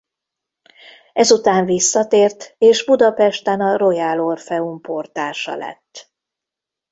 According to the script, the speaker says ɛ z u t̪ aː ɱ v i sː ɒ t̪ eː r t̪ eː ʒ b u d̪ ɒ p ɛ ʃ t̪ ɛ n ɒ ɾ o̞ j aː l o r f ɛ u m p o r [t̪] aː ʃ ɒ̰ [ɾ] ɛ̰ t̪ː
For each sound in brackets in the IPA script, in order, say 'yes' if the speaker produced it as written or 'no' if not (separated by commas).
yes, no